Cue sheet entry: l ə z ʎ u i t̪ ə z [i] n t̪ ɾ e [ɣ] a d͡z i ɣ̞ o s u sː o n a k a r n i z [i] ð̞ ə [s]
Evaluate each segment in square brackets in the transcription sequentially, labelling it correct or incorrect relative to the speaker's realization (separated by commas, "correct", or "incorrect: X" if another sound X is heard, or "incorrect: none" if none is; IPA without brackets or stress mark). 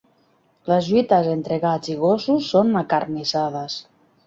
incorrect: e, correct, incorrect: a, correct